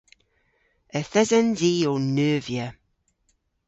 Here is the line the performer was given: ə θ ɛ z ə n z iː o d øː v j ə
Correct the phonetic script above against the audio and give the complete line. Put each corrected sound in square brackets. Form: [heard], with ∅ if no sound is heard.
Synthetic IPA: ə θ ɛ z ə n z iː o [n] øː v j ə